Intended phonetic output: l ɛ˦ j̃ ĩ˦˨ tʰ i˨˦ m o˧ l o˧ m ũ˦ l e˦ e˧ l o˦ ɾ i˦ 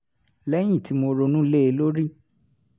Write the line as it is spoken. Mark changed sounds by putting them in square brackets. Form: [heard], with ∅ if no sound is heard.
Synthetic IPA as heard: l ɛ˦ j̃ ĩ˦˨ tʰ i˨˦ m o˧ [ɾ] o˧ [n] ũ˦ l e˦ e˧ l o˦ ɾ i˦